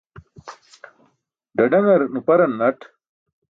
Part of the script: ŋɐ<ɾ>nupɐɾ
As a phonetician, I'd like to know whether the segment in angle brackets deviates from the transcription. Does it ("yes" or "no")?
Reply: no